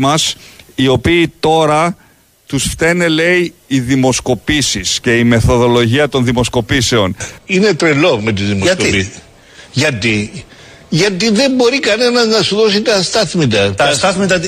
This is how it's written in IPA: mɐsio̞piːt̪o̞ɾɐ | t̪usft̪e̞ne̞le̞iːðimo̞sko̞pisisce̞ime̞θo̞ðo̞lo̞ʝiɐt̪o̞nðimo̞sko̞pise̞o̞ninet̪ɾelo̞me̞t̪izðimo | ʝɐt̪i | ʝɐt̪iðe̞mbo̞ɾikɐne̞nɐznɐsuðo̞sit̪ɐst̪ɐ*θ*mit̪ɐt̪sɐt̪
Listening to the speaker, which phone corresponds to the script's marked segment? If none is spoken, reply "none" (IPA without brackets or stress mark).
θ